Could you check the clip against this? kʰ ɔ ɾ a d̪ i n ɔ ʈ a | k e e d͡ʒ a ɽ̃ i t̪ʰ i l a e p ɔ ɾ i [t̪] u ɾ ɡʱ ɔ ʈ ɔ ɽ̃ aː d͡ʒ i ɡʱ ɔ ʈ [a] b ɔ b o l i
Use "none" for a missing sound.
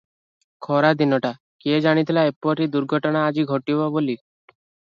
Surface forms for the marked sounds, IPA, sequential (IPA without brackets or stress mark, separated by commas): d̪, i